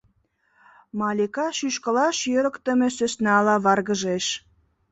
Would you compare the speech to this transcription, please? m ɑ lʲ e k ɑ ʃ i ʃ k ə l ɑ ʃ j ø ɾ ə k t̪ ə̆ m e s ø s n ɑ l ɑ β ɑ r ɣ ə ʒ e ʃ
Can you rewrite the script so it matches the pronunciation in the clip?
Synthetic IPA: m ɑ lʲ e k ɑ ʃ y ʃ k ə l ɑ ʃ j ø ɾ ə k t̪ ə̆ m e s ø s n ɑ l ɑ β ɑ r ɣ ə ʒ e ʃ

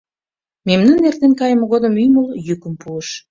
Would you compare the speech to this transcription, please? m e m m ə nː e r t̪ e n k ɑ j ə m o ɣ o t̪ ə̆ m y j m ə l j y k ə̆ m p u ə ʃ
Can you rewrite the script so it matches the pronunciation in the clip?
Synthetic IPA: m e m n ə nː e r t̪ e n k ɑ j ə m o ɣ o d̪ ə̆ m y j m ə l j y k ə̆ m p u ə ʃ

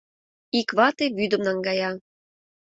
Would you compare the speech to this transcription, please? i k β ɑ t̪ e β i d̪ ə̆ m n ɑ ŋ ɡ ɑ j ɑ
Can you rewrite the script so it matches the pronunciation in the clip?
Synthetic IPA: i k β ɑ t̪ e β y d̪ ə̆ m n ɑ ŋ ɡ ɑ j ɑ

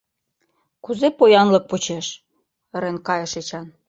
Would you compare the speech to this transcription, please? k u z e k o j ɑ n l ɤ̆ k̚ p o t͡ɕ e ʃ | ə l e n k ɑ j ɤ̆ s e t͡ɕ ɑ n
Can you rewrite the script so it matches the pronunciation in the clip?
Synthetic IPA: k u z e p o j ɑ n l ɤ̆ k̚ p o t͡ɕ e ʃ | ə ɾ e n k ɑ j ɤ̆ ʃ e t͡ɕ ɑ n

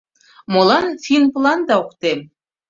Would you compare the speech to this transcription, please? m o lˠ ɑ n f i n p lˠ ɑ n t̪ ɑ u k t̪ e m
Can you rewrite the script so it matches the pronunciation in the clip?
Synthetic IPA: m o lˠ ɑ n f i n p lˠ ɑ n d̪ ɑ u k t̪ e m

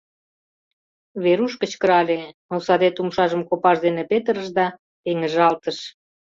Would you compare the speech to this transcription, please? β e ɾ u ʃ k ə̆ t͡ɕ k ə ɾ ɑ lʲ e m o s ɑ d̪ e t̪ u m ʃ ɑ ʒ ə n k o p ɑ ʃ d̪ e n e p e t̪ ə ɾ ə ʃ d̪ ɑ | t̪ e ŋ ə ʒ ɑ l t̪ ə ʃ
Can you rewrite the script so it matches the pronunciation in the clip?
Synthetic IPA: β e ɾ u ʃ k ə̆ t͡ɕ k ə ɾ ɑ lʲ e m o s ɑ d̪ e t̪ u m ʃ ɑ ʒ ə m k o p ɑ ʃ d̪ e n e p e t̪ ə ɾ ə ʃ d̪ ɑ | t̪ e ŋ ə ʒ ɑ l t̪ ə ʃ

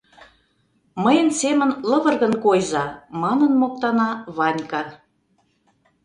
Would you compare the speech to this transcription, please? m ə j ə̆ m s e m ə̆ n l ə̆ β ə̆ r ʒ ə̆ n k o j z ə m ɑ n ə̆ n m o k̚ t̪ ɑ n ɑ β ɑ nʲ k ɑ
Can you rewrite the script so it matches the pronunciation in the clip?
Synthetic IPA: m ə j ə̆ n s e m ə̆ n l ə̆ β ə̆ r ɣ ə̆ n k o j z ɑ m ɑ n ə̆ n m o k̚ t̪ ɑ n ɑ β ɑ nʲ k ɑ

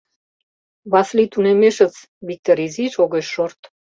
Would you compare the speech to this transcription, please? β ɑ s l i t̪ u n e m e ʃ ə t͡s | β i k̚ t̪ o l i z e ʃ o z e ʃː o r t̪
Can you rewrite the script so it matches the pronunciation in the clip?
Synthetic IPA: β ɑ s l i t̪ u n e m e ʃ ə t͡s | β i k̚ t̪ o ɾ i z i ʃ o ɣ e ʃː o r t̪

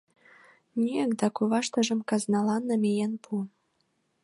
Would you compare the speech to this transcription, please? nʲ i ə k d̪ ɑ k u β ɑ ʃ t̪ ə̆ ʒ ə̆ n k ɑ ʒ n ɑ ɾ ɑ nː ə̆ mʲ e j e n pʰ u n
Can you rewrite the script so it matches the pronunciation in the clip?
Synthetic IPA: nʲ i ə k d̪ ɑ k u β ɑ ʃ t̪ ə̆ ʒ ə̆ m k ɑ z n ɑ l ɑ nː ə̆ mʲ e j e n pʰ u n

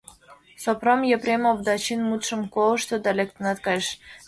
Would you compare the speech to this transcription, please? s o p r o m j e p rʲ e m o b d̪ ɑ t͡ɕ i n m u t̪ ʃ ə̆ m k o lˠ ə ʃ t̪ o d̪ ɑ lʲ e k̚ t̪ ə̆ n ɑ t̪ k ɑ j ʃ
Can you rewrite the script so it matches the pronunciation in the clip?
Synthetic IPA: s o p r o m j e p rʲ e m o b d̪ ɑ t͡ɕ i n m u t̪ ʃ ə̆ m k o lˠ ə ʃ t̪ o d̪ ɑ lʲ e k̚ t̪ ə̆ n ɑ t̪ k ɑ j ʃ

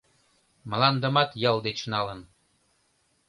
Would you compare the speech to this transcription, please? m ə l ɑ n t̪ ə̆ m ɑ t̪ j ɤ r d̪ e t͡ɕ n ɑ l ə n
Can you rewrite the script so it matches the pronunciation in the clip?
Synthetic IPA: m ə l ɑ n d̪ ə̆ m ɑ t̪ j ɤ l d̪ e t͡ɕ n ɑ l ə n

